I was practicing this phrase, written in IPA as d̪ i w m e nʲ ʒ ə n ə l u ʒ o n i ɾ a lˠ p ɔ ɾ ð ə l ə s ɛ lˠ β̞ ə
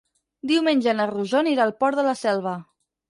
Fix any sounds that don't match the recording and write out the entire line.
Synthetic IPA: d̪ i w m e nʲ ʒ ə n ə r u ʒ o n i ɾ a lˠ p ɔ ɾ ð ə l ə s ɛ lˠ β̞ ə